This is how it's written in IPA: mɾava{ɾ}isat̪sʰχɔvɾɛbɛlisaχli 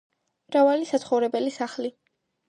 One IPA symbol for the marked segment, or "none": l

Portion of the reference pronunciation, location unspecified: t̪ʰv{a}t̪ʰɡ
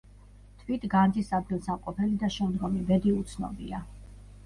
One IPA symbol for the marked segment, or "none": i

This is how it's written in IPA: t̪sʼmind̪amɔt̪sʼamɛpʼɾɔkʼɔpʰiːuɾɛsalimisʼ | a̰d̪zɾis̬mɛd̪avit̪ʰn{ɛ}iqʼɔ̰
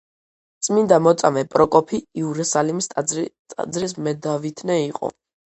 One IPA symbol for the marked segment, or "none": ɛ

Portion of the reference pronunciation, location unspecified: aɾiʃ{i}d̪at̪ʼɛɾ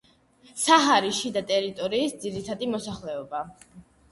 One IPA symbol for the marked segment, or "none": i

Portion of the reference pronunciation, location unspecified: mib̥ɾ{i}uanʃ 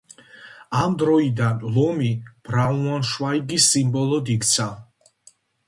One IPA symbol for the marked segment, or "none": a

